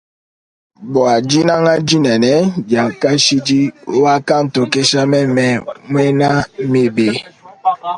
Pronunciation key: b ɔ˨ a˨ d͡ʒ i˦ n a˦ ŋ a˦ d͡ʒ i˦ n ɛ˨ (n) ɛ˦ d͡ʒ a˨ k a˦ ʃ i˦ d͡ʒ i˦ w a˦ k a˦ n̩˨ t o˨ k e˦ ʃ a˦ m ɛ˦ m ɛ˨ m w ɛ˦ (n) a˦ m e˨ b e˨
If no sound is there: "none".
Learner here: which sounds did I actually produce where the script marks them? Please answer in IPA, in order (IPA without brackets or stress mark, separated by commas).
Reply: n, n